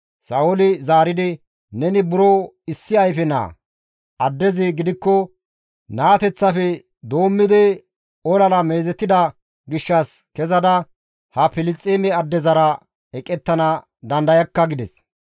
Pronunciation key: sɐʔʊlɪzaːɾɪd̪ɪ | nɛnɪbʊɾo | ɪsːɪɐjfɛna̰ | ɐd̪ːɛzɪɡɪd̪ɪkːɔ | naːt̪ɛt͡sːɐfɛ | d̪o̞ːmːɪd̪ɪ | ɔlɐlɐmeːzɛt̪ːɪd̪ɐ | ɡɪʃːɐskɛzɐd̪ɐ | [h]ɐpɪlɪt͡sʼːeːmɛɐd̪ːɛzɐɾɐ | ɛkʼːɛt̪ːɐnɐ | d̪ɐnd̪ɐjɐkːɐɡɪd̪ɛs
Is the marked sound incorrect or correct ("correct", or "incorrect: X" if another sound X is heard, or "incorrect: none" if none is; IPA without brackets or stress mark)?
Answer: correct